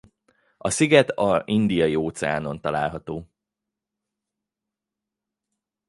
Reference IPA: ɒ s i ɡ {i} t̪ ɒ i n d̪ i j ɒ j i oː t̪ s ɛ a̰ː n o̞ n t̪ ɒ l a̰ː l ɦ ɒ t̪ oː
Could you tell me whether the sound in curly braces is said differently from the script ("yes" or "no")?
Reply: yes